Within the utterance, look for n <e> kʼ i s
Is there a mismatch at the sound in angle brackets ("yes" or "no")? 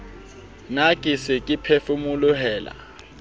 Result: yes